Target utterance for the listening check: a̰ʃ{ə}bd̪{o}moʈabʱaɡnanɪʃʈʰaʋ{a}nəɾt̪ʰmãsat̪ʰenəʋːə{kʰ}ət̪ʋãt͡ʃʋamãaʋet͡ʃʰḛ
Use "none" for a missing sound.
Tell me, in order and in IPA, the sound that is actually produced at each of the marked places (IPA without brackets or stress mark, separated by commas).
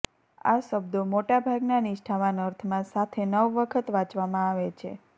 ə, o, a, kʰ